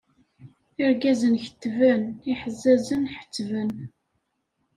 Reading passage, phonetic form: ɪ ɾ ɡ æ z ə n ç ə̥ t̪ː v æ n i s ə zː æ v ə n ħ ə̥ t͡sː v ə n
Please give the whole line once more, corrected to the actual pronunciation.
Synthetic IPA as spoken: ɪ ɾ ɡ æ z ə n ç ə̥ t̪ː v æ n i ħ ə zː æ z ə n ħ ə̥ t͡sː v ə n